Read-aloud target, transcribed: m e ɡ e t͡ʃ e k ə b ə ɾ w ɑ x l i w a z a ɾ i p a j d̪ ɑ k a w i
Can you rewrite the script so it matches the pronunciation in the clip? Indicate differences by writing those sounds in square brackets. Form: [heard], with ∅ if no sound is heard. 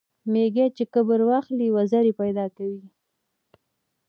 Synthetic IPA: m e ɡ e t͡ʃ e k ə b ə ɾ w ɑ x l i w a z a ɾ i p a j d̪ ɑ k a w i